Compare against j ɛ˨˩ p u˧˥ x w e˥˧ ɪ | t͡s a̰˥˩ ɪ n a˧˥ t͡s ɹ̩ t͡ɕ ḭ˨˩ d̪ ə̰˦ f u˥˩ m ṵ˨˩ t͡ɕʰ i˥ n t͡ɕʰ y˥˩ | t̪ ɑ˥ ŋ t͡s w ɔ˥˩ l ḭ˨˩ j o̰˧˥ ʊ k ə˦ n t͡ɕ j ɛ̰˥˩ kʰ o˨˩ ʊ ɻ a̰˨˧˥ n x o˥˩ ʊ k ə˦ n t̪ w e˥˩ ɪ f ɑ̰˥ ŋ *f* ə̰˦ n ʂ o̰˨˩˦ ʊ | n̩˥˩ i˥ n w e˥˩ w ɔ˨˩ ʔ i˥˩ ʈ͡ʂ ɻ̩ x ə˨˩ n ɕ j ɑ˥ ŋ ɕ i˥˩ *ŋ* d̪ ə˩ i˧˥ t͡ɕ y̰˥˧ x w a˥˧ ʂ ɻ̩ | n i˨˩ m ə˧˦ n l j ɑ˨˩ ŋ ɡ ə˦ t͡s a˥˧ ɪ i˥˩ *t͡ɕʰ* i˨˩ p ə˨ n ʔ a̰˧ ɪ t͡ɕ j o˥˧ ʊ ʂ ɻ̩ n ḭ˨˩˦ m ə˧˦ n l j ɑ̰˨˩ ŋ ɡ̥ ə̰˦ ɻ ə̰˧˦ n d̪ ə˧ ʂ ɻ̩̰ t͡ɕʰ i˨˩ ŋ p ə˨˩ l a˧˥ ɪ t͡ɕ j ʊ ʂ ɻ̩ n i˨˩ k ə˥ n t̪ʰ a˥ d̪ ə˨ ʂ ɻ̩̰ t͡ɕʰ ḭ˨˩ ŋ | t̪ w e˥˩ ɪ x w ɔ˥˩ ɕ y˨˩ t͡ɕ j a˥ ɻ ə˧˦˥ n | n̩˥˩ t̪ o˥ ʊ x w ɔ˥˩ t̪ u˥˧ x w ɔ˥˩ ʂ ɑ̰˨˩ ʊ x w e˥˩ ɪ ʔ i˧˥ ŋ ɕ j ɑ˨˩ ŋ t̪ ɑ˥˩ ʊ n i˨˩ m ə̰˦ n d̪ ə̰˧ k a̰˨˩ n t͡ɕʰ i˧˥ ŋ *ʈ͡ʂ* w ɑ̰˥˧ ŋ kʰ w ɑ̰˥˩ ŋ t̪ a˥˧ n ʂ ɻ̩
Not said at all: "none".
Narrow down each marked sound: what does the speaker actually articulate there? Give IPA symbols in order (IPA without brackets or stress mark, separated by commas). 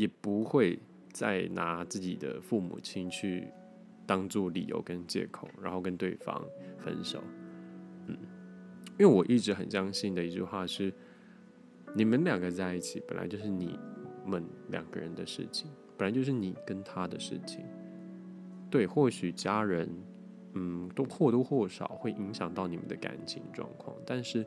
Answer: f, n, t͡ɕʰ, ʈ͡ʂ